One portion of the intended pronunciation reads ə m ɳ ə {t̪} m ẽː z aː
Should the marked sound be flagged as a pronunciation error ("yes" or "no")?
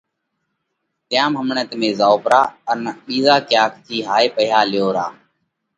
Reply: no